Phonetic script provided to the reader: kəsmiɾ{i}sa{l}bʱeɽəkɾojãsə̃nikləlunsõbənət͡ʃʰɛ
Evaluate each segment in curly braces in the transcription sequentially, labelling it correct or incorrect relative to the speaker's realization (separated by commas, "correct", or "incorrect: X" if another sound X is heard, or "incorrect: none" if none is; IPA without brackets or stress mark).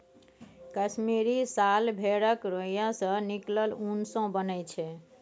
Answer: correct, correct